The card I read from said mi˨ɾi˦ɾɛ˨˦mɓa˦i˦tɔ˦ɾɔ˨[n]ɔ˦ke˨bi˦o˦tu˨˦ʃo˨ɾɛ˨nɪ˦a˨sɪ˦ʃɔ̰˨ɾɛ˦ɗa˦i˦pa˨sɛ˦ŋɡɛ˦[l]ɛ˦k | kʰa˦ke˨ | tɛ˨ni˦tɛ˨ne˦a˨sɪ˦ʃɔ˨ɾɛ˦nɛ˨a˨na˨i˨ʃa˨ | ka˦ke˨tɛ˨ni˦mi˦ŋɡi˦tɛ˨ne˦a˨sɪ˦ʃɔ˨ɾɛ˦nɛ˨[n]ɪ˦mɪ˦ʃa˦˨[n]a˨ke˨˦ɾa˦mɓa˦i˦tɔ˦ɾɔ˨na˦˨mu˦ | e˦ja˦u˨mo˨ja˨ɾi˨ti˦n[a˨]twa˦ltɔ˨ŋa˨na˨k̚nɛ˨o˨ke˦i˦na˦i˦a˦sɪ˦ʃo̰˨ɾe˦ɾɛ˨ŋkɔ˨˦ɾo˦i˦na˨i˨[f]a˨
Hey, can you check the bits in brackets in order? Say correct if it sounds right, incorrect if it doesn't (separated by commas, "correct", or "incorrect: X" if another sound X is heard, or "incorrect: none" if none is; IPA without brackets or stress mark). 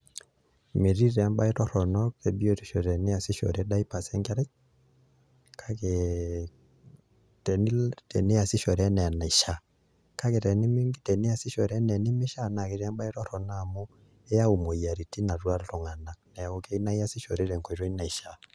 correct, incorrect: ɾ, correct, correct, correct, incorrect: ʃ